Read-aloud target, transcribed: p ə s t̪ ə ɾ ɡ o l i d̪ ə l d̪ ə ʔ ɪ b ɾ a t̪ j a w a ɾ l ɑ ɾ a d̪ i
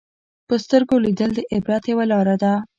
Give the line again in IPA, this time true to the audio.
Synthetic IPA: p ə s t̪ ə ɾ ɡ o l i d̪ ə l d̪ ə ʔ ɪ b ɾ a t̪ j a w a l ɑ ɾ a d̪ a